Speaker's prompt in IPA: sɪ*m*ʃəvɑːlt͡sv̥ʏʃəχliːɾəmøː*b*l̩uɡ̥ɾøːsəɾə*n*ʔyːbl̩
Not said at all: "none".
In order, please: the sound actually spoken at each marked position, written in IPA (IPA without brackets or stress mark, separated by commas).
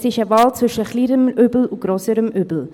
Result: none, b, m